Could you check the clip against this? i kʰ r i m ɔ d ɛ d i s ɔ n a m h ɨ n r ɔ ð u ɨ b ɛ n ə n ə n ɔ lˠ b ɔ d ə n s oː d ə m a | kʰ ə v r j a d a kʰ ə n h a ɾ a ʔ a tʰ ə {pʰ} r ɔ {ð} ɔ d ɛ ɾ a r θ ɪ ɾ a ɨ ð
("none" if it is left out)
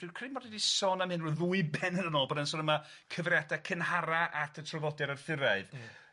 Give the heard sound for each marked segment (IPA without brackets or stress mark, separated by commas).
tʰ, v